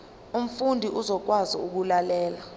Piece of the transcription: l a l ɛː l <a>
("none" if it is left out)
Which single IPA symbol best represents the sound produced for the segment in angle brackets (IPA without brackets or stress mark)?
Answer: a